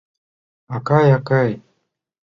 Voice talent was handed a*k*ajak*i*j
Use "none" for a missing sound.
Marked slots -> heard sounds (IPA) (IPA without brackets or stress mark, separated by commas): k, a